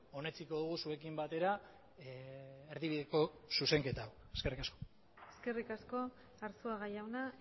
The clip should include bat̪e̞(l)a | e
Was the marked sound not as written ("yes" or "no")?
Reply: yes